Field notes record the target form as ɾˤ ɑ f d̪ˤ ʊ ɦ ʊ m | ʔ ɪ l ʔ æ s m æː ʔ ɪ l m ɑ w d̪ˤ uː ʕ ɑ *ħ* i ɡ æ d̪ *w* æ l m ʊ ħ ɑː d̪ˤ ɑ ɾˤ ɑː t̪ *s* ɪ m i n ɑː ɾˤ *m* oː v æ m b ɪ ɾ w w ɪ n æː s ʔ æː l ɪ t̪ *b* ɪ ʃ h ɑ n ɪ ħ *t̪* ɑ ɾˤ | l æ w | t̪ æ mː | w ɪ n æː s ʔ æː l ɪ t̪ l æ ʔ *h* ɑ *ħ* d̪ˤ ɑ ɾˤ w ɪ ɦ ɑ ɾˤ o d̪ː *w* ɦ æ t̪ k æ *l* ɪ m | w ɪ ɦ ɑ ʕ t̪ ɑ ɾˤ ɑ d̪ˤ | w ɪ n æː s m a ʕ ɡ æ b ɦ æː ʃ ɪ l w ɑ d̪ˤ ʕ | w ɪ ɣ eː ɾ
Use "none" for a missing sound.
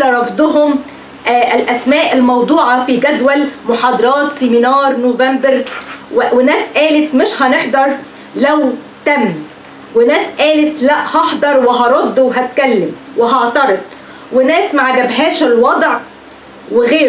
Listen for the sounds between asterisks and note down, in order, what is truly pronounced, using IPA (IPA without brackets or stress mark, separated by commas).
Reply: f, w, s, n, m, d̪, h, ħ, w, lː